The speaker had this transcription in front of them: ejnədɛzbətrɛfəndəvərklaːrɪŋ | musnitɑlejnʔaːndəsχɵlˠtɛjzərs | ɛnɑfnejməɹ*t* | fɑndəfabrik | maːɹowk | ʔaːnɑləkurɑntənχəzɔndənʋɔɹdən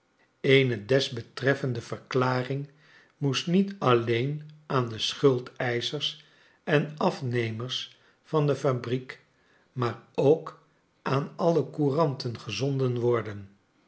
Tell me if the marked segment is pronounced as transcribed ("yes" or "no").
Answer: no